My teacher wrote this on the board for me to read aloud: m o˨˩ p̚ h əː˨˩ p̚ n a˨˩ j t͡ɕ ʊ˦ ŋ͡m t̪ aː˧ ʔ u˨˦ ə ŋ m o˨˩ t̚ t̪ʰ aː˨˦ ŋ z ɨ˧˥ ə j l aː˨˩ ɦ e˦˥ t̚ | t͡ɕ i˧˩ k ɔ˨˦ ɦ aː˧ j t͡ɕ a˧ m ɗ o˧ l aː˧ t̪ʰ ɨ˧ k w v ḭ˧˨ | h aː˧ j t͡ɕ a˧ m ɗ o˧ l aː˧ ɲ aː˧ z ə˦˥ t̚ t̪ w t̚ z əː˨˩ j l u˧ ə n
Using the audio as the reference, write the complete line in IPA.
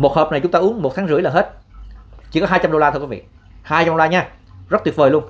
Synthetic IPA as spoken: m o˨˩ t̚ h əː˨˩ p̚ n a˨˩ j t͡ɕ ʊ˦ ŋ͡m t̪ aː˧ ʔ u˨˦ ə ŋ m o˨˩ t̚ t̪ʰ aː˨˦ ŋ z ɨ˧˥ ə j l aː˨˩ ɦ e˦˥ t̚ | t͡ɕ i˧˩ k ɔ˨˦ ɦ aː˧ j t͡ɕ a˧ m ɗ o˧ l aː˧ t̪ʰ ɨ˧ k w v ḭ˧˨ | h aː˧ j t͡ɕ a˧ m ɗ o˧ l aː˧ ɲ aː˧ z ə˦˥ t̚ t̪ w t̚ v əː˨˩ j l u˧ ə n